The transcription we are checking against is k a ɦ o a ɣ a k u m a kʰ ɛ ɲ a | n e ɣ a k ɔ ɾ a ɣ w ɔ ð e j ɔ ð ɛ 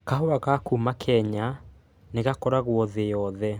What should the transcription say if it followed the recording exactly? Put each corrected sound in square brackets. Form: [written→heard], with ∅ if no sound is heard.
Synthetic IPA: k a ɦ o a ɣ a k u m a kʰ ɛ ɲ a | n e ɣ a k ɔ ɾ a ɣ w ɔ ð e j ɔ ð ɛ